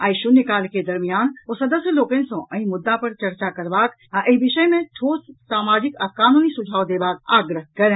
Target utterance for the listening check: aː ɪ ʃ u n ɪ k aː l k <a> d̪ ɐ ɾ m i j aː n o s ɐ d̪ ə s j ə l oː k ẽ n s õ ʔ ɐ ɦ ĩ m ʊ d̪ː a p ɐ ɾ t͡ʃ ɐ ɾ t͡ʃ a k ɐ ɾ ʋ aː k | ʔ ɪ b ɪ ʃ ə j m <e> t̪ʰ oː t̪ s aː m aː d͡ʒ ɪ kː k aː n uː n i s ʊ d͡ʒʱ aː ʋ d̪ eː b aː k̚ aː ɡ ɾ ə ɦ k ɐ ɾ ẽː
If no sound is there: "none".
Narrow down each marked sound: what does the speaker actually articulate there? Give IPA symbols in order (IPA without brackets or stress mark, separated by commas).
e, ẽ